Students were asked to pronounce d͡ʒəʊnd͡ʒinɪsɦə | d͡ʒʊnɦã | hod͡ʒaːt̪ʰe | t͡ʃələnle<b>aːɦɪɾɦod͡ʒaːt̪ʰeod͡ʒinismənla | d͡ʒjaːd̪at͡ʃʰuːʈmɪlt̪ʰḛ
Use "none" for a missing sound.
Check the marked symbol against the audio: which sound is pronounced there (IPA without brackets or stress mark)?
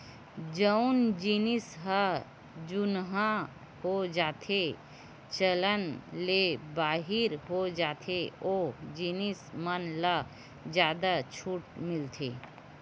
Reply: b